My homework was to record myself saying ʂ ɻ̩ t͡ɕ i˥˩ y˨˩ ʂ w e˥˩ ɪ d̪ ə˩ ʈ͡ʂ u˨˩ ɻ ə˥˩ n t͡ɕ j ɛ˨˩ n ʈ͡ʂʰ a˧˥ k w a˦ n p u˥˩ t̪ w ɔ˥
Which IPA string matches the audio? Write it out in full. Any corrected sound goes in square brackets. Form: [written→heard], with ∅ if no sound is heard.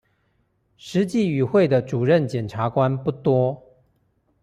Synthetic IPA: ʂ ɻ̩ t͡ɕ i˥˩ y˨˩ [ʂ→x] w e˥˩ ɪ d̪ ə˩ ʈ͡ʂ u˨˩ ɻ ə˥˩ n t͡ɕ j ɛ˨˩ n ʈ͡ʂʰ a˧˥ k w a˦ n p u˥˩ t̪ w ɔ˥